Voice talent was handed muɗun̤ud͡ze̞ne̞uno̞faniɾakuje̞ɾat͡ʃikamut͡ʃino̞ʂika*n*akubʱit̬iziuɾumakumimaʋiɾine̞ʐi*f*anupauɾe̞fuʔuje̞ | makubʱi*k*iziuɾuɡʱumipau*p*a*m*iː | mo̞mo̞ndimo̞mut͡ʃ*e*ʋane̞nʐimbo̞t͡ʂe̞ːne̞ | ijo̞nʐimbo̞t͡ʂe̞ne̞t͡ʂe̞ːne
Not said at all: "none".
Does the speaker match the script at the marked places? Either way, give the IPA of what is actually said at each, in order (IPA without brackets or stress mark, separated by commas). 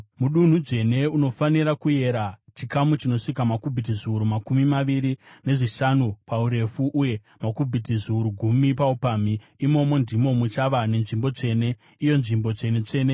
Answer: m, ʃ, t, p, m, a